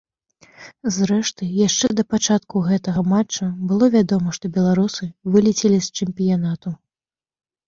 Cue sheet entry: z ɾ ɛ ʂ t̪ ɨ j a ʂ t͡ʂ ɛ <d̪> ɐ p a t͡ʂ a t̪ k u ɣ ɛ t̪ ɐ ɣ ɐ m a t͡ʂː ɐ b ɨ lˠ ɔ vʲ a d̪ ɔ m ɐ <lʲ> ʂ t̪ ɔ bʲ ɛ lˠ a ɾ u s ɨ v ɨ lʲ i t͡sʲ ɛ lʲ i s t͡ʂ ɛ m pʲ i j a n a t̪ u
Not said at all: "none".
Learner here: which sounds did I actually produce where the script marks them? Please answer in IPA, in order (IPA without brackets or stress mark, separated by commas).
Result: d̪, none